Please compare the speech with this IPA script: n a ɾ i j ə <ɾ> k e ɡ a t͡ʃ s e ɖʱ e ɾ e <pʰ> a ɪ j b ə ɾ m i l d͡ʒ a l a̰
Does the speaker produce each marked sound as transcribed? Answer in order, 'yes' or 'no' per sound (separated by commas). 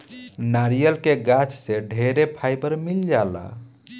no, yes